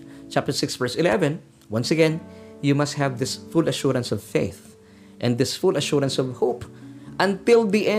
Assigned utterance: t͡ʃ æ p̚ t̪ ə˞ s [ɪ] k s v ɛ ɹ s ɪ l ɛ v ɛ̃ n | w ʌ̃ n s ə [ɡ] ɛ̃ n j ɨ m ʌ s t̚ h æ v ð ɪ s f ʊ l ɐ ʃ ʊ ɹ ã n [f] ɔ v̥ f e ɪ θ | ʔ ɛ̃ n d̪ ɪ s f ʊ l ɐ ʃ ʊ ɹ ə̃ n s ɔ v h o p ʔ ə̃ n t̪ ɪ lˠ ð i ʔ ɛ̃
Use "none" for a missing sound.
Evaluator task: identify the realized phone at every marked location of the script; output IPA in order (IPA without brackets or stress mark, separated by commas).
ɪ, ɡ, s